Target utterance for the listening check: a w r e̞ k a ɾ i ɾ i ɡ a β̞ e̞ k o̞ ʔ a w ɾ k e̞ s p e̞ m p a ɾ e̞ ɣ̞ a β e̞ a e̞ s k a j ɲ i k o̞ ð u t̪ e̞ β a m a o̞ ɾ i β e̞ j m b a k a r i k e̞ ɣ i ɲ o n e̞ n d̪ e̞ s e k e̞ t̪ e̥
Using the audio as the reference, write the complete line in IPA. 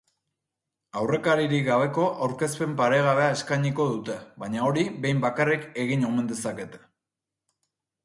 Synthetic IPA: a w r e̞ k a ɾ i ɾ i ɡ a β̞ e̞ k o̞ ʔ a w ɾ k e̞ s p e̞ m p a ɾ e̞ ɣ̞ a β e̞ a e̞ s k a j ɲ i k o̞ ð u t̪ e̞ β a ɲ a o̞ ɾ i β e̞ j m b a k a r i k e̞ ɣ i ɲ o m e̞ n d̪ e̞ s a k e̞ t̪ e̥